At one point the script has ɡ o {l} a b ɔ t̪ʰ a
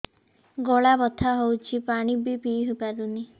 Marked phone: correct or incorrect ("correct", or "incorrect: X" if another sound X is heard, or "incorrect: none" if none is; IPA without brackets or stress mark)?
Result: incorrect: ɭ